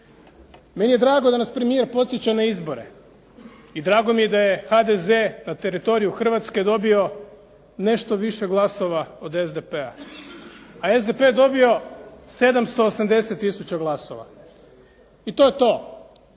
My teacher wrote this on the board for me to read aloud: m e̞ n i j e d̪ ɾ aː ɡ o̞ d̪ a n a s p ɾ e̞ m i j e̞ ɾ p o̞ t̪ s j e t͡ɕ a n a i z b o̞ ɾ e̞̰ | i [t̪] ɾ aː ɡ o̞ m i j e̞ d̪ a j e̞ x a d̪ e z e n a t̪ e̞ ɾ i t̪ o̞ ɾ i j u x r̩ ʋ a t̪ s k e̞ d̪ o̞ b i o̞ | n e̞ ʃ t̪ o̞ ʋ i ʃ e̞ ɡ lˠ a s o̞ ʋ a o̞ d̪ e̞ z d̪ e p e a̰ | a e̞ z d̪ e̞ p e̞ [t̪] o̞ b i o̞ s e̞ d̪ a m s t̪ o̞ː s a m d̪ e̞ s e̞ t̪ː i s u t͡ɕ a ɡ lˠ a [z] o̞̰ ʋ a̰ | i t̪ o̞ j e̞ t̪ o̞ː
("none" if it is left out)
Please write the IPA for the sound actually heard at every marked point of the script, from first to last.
d̪, d̪, s

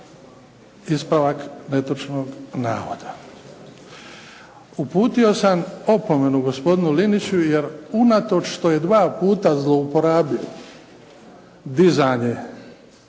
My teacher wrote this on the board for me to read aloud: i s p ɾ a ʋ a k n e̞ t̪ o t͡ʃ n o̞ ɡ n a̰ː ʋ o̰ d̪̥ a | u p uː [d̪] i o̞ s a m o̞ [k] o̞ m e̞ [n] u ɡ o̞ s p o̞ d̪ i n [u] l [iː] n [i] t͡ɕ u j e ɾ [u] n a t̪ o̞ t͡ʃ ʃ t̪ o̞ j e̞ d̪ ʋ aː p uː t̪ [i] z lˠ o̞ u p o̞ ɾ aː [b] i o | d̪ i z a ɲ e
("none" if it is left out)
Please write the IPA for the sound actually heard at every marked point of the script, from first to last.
t̪, p, n, u, i, i, u, a, b

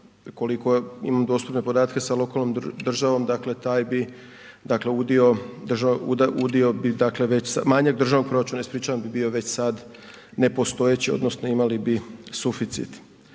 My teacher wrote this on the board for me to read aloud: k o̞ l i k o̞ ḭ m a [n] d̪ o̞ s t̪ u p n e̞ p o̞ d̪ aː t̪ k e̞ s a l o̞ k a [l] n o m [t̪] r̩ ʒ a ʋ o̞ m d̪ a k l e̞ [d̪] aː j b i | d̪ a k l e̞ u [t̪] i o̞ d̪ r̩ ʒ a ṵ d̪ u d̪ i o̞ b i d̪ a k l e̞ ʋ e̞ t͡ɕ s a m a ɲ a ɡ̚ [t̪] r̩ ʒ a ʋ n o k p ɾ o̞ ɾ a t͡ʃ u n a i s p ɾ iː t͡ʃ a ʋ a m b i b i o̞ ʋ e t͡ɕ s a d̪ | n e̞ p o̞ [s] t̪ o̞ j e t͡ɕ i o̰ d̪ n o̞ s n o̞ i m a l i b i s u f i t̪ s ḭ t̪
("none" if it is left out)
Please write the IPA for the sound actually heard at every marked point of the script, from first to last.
m, l, d̪, t̪, d̪, d̪, s

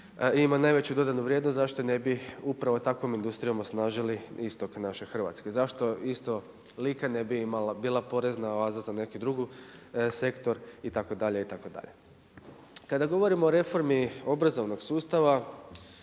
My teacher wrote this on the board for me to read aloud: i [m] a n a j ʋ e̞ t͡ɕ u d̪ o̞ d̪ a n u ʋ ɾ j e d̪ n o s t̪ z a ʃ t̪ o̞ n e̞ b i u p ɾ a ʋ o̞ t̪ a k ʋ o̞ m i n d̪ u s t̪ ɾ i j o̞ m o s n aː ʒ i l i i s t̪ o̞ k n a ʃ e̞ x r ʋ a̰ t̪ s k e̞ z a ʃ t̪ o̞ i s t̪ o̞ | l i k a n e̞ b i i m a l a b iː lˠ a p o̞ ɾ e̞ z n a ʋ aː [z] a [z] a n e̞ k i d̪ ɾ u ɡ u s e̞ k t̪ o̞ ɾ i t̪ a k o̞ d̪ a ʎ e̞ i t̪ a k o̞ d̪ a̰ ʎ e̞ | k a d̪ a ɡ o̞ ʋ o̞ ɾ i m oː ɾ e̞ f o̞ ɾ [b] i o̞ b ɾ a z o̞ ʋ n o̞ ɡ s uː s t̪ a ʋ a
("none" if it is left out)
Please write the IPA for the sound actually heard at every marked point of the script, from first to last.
m, z, z, m

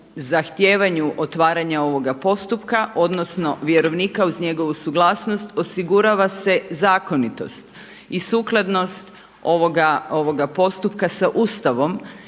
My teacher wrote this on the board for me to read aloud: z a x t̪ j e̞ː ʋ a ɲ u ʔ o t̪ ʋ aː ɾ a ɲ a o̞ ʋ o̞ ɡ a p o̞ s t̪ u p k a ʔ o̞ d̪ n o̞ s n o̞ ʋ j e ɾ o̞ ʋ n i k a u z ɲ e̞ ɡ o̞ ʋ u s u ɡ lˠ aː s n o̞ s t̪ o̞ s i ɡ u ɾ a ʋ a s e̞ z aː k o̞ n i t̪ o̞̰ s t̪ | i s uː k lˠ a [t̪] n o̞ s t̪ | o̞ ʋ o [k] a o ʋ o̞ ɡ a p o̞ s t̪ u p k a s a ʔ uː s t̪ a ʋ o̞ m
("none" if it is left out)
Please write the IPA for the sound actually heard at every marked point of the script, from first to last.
d̪, ɡ

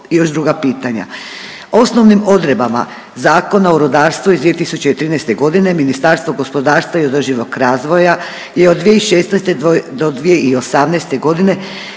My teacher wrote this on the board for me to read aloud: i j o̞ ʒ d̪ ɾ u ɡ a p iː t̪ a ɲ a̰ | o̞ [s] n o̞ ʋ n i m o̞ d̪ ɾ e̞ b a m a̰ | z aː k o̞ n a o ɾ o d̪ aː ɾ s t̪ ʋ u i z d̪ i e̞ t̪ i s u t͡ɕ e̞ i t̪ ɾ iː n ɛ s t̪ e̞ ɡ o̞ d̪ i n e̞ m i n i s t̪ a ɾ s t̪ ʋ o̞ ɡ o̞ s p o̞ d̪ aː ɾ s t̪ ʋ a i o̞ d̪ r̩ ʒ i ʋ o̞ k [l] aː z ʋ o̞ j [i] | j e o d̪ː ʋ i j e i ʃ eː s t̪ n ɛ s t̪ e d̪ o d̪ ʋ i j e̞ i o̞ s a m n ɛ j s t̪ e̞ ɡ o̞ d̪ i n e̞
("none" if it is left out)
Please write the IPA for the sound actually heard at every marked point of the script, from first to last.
s, ɾ, a

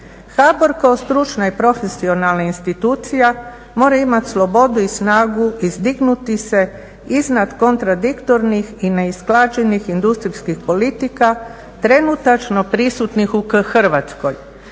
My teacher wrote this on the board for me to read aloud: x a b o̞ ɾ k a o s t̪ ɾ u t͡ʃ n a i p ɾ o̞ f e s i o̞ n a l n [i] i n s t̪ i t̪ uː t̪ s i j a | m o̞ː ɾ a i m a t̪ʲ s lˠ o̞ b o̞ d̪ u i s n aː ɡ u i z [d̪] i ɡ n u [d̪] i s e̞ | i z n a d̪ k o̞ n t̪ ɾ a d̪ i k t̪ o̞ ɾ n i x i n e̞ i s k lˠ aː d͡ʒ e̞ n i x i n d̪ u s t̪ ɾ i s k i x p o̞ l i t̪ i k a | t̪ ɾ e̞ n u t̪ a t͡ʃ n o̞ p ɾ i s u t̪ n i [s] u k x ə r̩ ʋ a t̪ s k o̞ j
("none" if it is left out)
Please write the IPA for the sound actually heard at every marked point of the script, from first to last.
a, d̪, t̪, x

